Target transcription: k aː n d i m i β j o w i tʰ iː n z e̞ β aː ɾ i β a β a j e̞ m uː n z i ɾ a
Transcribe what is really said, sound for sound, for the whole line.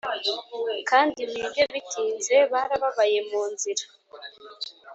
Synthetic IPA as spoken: k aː n d i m i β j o β i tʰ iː n z e̞ β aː ɾ a β a β a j e̞ m uː n z i ɾ a